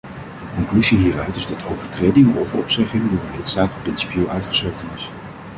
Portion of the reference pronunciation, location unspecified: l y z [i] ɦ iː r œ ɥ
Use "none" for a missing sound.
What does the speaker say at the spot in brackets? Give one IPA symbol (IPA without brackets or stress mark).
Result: i